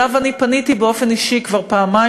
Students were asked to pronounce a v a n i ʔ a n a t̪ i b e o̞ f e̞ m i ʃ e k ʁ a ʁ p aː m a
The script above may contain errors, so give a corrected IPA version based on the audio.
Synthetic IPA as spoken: a v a n i p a n i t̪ i b e o̞ f e̞ n i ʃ i k v a ʁ p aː m a